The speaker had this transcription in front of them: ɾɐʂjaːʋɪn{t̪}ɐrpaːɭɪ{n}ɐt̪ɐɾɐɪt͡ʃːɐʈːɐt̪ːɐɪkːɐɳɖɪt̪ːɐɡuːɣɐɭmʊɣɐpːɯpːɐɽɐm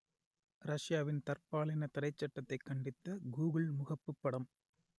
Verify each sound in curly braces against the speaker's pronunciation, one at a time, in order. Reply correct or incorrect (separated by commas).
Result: correct, correct